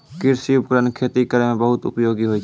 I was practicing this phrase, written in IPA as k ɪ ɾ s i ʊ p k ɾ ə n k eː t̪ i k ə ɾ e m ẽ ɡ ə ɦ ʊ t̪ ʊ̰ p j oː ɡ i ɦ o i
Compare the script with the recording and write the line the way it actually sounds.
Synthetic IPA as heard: k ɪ ɾ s i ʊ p k ɾ ə n kʰ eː t̪ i k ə ɾ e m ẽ b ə ɦ ʊ t̪ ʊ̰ p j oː ɡ i ɦ o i